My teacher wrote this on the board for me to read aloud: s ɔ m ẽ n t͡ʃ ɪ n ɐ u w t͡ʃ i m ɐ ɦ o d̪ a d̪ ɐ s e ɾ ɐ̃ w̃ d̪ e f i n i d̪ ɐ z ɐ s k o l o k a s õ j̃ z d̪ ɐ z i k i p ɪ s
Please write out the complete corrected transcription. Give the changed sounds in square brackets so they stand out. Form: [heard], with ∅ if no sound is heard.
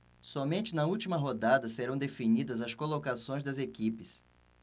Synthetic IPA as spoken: s ɔ m ẽ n t͡ʃ ɪ n ɐ u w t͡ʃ i m ɐ ɦ o d̪ a d̪ ɐ s e ɾ ɐ̃ w̃ d̪ e f i n i d̪ ɐ z ɐ s k o l o k a s õ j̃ z d̪ ɐ z [e] k i p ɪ s